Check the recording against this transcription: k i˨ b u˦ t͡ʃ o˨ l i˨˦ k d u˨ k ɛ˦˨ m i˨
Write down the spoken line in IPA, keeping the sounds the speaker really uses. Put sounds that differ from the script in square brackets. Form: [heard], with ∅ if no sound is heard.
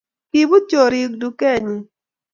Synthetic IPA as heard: k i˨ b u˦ t͡ʃ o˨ [ɾ] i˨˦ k d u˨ k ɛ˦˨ [ɲ] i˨